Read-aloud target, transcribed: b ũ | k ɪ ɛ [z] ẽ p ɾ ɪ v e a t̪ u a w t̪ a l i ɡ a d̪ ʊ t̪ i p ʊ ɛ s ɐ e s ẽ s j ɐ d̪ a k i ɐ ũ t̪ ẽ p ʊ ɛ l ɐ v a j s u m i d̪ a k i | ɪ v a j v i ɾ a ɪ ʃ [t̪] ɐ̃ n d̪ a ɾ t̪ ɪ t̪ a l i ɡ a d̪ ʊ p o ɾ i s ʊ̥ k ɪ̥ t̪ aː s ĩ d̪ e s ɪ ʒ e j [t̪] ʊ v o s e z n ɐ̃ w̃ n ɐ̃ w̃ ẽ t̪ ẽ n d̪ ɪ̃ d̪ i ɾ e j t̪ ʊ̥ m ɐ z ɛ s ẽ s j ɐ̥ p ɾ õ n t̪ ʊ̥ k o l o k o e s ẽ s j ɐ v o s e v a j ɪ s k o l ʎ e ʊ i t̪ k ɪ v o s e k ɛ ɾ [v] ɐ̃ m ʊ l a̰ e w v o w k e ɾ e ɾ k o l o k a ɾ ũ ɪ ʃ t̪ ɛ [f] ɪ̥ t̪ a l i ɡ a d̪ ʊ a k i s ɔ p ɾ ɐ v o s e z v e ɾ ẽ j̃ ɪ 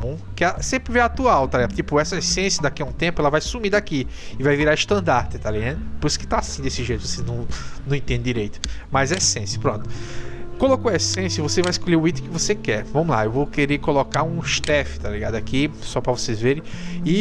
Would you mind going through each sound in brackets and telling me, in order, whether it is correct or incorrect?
incorrect, correct, correct, correct, correct

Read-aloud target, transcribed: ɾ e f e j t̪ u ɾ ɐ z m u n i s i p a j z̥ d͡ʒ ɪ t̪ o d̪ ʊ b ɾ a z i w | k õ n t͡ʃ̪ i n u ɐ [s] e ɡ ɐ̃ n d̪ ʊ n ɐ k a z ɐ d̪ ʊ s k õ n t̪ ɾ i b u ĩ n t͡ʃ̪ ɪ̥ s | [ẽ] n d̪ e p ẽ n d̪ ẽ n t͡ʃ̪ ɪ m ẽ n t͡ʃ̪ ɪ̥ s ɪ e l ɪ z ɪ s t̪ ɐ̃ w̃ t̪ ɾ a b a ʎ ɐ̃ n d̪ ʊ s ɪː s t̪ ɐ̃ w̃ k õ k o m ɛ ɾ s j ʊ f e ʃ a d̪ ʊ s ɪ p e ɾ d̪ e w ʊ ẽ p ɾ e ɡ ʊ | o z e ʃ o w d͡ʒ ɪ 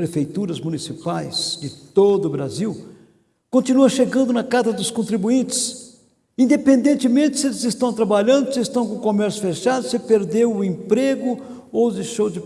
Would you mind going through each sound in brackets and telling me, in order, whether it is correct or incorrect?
incorrect, incorrect

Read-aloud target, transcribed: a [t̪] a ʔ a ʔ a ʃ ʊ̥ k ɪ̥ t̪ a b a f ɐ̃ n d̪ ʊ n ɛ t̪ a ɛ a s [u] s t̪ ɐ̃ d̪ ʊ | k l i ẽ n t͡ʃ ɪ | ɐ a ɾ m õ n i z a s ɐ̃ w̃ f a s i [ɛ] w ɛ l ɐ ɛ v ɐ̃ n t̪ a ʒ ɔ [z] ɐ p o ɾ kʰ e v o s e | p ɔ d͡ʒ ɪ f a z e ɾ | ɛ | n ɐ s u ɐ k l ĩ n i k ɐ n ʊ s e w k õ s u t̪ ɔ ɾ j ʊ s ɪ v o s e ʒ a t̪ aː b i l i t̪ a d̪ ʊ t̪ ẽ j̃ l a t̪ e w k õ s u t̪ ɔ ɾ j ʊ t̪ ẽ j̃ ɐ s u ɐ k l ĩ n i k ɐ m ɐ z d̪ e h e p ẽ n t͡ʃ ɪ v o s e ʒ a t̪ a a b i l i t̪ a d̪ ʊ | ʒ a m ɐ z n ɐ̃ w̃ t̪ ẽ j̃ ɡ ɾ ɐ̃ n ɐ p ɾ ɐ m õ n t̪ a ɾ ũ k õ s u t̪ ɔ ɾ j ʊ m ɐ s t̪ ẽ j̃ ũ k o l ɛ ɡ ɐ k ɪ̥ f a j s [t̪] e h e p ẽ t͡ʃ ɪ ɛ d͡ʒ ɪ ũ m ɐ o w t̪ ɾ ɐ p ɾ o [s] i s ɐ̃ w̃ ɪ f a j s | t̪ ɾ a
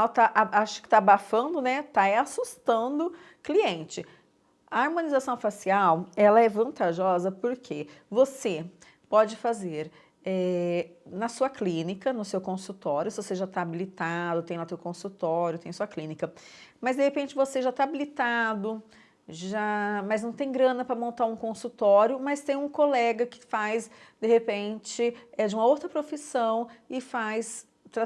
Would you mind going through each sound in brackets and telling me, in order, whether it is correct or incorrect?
correct, correct, incorrect, correct, incorrect, incorrect

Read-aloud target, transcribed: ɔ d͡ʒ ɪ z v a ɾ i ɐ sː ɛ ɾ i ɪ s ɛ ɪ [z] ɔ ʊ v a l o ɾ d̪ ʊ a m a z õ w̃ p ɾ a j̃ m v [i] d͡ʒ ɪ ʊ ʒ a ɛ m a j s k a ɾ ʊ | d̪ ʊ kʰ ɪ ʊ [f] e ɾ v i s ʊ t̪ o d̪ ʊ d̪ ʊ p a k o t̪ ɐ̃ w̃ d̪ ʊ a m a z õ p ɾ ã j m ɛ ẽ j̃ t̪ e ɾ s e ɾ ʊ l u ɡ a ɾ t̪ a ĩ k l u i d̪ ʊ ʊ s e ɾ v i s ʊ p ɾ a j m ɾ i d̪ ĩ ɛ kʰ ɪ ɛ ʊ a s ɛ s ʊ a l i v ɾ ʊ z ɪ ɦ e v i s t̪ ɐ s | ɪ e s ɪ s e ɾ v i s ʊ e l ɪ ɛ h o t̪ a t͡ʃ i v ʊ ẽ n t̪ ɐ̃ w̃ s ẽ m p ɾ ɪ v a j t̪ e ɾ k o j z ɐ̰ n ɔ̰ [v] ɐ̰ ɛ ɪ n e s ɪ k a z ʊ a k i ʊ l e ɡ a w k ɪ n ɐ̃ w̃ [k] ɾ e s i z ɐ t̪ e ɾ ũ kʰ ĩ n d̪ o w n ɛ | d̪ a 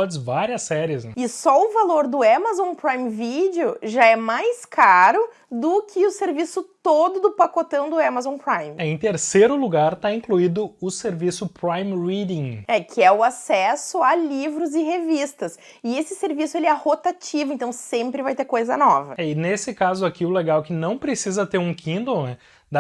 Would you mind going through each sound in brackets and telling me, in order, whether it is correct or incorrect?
incorrect, correct, incorrect, correct, incorrect

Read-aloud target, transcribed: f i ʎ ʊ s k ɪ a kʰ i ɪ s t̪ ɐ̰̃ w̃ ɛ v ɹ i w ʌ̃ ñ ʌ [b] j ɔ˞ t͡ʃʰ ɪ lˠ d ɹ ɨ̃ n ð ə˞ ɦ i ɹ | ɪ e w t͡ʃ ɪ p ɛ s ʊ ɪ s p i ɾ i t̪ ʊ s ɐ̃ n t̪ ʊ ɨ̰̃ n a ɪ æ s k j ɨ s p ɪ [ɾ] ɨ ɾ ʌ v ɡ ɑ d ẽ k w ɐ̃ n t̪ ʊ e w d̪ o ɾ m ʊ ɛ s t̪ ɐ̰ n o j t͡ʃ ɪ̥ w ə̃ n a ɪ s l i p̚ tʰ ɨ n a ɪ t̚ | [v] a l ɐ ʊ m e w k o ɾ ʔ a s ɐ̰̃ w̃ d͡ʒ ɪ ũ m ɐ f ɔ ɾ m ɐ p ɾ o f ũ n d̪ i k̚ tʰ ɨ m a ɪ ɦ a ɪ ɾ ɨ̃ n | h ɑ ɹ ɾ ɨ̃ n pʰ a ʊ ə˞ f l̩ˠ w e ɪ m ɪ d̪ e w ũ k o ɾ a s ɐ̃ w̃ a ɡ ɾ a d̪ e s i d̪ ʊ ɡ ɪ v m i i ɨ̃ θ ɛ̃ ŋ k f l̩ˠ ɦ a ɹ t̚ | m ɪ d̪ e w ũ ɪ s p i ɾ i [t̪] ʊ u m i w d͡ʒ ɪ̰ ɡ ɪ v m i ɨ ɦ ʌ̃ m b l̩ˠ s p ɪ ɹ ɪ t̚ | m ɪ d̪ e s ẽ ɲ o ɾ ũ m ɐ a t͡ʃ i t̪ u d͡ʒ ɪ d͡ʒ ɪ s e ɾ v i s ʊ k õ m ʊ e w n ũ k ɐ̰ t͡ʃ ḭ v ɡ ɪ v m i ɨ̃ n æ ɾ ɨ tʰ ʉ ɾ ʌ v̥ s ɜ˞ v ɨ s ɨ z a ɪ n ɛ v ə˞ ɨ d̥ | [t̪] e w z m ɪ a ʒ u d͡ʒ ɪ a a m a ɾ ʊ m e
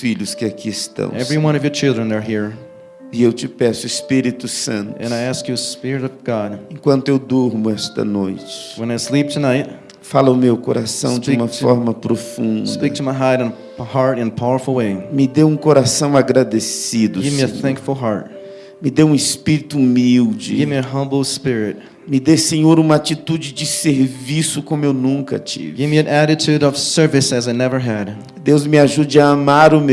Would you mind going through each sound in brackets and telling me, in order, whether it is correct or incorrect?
incorrect, incorrect, incorrect, correct, incorrect

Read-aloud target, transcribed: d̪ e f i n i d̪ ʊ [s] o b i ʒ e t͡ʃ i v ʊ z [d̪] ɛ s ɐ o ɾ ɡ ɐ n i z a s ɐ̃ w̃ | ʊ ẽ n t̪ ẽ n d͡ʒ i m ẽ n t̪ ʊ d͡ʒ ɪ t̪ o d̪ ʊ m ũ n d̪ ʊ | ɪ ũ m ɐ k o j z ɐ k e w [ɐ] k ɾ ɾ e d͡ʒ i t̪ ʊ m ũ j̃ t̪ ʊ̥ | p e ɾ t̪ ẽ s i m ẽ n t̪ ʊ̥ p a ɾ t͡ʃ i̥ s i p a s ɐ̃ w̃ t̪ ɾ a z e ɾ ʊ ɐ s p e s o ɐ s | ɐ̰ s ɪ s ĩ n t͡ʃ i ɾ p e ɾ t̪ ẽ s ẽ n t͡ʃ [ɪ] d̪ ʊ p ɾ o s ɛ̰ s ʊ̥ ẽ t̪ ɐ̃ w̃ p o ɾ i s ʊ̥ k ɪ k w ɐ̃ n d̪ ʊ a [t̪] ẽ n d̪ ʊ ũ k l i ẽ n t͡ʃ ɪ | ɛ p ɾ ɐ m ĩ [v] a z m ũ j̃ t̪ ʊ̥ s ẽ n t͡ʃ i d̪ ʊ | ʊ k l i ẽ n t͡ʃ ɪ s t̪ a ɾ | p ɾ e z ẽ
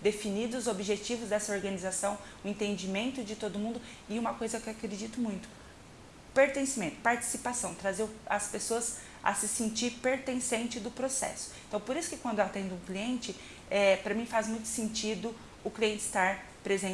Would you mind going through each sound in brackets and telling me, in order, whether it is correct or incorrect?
incorrect, correct, incorrect, correct, correct, incorrect

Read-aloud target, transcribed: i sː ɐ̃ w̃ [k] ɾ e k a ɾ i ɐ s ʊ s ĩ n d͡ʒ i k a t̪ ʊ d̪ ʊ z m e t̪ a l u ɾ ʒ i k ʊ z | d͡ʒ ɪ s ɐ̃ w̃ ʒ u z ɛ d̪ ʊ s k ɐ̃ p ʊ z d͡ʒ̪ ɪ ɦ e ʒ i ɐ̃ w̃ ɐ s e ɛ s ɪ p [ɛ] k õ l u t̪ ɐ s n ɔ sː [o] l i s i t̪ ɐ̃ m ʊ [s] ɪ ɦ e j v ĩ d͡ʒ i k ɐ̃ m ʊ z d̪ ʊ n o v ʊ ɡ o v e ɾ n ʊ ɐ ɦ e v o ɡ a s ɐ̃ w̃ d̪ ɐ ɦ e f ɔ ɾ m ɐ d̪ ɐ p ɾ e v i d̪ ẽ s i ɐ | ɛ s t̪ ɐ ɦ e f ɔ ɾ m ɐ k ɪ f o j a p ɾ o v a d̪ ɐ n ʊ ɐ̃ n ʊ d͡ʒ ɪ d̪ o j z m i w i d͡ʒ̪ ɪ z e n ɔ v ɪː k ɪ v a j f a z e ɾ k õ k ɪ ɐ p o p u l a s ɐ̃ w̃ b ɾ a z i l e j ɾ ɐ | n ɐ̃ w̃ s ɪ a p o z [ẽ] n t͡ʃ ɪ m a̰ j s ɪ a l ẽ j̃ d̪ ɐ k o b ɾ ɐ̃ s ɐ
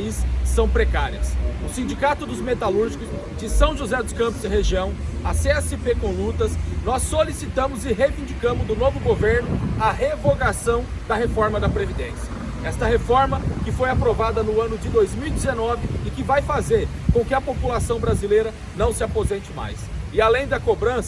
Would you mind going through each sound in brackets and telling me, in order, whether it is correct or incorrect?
incorrect, incorrect, correct, incorrect, correct

